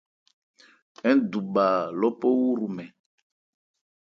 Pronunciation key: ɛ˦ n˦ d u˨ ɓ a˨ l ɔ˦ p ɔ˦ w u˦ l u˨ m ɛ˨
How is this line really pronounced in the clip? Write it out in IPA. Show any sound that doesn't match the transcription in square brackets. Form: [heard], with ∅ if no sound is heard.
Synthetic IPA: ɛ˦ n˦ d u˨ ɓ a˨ l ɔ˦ p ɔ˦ w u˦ [ɾ] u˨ m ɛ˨